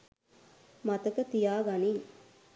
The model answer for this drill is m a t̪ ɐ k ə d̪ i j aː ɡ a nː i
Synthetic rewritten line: m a t̪ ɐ k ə t̪ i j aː ɡ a n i